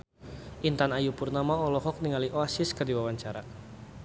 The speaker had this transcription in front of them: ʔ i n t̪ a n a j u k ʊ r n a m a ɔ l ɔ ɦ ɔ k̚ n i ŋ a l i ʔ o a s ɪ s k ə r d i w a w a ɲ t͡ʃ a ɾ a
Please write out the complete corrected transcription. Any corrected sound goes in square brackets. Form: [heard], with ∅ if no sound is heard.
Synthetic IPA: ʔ i n t̪ a n a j u [p] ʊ r n a m a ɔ l ɔ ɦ ɔ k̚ n i ŋ a l i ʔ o a s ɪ s k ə r d i w a w a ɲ t͡ʃ a ɾ a